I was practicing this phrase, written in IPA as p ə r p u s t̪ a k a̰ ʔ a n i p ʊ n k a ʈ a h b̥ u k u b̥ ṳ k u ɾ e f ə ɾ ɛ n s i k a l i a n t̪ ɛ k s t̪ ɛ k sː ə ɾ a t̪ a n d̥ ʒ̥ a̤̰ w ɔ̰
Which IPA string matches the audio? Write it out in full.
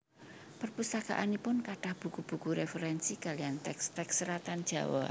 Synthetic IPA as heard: p ə r p u s t̪ a k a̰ ʔ a n i p ʊ n k a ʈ a h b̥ u k u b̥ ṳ k u ɾ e f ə ɾ ɛ n s i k a l i a n t̪ ɛ k s t̪ ɛ k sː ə ɾ a t̪ a n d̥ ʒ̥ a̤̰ w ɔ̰